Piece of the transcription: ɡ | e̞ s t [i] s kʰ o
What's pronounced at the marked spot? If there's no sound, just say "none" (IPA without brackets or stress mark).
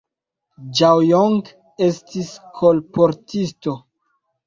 i